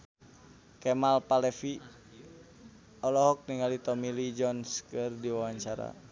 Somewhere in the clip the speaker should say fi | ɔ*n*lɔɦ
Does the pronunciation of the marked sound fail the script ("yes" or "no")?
yes